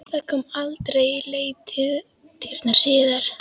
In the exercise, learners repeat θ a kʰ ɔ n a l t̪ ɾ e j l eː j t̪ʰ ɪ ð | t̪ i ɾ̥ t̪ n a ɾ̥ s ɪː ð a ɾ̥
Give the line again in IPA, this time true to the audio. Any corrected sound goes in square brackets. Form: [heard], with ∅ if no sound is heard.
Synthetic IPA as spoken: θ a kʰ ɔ [m] a l t̪ ɾ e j l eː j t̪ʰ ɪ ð | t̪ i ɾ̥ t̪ n a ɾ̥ s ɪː ð a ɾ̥

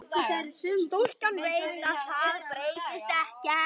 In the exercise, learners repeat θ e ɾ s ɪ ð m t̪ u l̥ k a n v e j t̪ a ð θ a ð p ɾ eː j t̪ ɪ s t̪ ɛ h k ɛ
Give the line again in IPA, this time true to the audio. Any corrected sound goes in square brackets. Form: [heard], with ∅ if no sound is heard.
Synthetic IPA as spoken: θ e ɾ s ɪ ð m t̪ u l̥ k a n v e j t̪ a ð θ a ð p ɾ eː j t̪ ɪ s t̪ ɛ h [c] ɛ

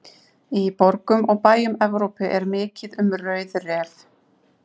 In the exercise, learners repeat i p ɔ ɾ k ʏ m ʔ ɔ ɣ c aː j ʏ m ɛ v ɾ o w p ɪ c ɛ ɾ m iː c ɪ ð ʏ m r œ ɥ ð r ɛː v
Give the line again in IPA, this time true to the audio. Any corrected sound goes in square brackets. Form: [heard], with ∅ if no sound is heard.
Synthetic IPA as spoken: i p ɔ ɾ k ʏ m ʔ ɔ ɣ [p] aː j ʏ m ɛ v ɾ o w p ɪ [ʔ] ɛ ɾ m [ɪː] c ɪ ð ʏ m r œ ɥ ð r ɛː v

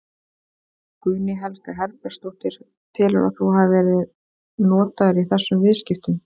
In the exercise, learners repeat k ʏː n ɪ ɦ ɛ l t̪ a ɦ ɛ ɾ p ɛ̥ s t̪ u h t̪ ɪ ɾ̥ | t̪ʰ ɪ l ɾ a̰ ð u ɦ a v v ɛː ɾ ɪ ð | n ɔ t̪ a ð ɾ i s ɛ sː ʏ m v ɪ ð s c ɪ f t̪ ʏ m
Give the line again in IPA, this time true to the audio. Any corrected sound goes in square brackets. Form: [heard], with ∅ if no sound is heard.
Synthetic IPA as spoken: k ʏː n ɪ ɦ ɛ l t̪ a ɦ ɛ ɾ p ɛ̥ s t̪ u h t̪ ɪ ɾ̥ | t̪ʰ ɪ l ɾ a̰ [θ] u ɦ a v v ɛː ɾ ɪ ð | n [ɔː] t̪ a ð ɾ i [θ] ɛ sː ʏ m v ɪ ð s c ɪ f t̪ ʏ m

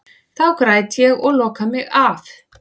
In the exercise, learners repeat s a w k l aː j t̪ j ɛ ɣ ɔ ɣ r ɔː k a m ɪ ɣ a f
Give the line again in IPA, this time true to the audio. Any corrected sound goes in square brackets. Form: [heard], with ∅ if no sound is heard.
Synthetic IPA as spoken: [θ] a w k [ɾ] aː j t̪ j ɛ ɣ ɔ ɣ [l] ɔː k a m ɪ ɣ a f

